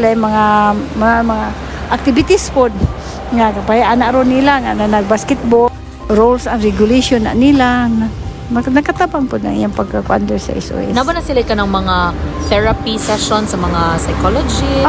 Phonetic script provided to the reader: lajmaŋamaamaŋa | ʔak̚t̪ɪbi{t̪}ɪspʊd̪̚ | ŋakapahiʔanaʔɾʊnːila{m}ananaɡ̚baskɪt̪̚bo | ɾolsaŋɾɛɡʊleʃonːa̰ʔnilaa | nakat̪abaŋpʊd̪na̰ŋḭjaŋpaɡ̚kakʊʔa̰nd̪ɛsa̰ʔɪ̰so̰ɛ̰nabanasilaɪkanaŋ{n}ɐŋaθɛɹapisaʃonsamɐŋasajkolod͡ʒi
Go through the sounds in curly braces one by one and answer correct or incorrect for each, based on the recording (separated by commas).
correct, incorrect, incorrect